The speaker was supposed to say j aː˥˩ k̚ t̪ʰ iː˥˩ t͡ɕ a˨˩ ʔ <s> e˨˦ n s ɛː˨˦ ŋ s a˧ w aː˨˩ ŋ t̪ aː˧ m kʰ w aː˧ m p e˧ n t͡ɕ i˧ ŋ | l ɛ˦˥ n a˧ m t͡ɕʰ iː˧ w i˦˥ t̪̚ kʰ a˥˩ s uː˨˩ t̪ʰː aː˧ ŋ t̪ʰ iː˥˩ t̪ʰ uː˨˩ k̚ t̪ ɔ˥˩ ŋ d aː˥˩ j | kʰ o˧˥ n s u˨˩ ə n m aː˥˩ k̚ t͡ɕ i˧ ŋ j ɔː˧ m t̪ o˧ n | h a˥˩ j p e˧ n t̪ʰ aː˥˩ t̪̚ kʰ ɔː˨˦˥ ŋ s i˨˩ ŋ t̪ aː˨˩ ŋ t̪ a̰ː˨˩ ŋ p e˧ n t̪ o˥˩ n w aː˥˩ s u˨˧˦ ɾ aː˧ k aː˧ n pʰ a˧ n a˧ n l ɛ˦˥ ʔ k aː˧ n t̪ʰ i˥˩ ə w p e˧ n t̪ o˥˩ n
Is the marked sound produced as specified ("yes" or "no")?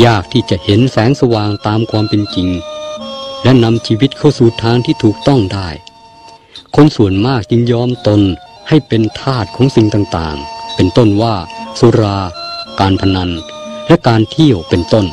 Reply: no